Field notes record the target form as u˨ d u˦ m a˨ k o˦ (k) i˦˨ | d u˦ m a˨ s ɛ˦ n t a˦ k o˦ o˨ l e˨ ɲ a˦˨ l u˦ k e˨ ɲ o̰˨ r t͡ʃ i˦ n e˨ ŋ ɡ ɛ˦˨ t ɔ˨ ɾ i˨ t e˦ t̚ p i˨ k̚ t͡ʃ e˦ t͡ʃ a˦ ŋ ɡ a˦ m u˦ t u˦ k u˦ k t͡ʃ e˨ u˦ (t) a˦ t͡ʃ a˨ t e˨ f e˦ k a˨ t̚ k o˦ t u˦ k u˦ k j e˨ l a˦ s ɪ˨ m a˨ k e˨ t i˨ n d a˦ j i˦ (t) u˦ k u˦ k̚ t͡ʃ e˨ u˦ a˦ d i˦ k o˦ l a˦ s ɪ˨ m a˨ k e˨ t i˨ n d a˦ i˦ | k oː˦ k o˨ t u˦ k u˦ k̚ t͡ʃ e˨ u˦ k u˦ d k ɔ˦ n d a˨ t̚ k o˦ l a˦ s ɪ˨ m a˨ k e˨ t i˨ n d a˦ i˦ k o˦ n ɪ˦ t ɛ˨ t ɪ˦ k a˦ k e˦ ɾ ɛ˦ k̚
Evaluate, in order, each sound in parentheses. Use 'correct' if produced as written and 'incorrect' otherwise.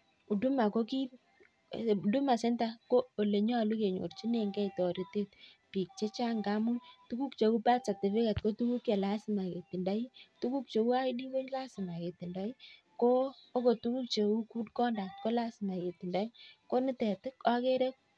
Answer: correct, incorrect, correct

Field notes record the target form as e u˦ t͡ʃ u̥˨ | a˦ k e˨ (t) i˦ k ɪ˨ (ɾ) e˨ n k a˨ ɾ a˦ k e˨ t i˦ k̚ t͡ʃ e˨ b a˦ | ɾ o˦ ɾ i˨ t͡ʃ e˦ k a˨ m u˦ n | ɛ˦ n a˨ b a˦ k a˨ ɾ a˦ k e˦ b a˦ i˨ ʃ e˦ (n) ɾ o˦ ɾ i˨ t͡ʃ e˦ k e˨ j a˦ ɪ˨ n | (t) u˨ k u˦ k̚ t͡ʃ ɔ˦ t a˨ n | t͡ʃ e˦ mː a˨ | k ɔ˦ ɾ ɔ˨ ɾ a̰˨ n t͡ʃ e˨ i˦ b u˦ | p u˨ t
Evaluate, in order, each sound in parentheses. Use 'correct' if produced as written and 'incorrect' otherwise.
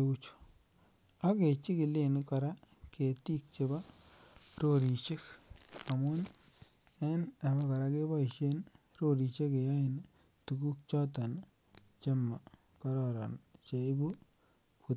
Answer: incorrect, incorrect, correct, correct

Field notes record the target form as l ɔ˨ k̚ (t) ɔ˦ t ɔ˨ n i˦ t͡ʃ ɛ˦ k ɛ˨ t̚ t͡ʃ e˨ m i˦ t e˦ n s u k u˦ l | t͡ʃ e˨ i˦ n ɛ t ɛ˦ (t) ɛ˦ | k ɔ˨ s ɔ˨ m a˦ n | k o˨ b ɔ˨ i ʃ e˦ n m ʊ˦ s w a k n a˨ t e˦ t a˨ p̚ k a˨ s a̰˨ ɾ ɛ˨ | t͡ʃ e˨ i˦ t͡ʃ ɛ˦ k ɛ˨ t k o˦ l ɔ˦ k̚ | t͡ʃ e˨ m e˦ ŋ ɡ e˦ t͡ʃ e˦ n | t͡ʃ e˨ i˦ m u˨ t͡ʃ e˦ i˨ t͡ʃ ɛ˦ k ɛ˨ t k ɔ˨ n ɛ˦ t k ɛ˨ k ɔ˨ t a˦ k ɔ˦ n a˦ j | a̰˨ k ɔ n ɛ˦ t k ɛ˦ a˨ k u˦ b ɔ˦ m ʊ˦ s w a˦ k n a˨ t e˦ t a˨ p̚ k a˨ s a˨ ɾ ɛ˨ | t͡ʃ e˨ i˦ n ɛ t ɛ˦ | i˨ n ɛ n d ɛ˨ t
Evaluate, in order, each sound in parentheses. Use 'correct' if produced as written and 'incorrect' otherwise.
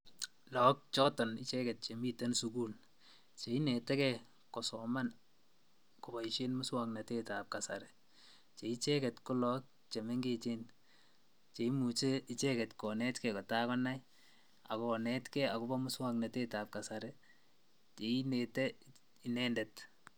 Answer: incorrect, incorrect

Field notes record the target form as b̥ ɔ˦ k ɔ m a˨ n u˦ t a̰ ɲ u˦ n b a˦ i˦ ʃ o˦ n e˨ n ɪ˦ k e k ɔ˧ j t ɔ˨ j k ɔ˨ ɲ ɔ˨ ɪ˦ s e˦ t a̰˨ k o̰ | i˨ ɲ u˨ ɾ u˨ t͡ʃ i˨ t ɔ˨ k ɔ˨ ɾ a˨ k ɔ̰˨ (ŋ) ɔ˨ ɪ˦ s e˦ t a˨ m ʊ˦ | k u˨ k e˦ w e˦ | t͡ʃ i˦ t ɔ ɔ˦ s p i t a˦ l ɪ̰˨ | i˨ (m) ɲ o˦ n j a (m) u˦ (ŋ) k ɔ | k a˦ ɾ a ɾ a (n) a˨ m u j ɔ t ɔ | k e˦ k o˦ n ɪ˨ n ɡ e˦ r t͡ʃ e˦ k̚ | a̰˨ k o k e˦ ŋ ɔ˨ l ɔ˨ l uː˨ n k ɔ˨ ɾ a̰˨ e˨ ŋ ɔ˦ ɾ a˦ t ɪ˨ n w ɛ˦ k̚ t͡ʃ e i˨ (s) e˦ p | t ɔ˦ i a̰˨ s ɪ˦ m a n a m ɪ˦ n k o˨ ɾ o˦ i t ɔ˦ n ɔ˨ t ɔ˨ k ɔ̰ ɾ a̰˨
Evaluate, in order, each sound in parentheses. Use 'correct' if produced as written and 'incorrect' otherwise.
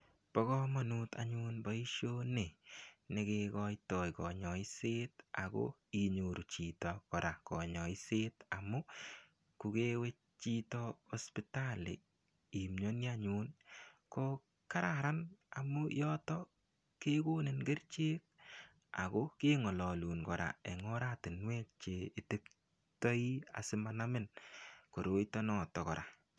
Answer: incorrect, correct, incorrect, incorrect, correct, incorrect

